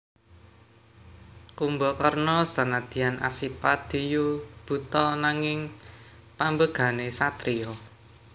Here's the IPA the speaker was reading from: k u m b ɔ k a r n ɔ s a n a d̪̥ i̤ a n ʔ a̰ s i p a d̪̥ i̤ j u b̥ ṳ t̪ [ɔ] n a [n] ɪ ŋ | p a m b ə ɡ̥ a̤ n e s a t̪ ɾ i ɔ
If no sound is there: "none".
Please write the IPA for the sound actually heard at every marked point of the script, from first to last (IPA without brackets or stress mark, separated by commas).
ɔ, ŋ